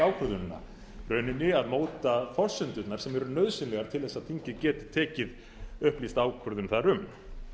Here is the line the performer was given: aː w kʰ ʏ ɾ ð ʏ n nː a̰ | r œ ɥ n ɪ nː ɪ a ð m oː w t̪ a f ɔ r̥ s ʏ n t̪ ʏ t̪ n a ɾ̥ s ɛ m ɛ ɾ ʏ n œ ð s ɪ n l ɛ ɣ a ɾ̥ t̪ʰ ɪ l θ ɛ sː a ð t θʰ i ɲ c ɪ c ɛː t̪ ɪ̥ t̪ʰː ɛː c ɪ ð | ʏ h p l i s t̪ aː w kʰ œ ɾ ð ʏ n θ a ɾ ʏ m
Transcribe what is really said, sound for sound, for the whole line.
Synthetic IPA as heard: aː w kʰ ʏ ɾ ð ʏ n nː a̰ | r œ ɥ n ɪ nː ɪ a ð m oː w t̪ a f ɔ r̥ s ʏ n t̪ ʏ t̪ n a ɾ̥ s ɛ m ɛ ɾ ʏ n œ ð s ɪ n l ɛ ɣ a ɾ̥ t̪ʰ ɪ l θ ɛ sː a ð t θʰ i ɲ c ɪ c ɛː t̪ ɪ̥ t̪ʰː ɛː c ɪ ð | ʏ h p l i s t̪ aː w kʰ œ ɾ ð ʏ n θ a ɾ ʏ m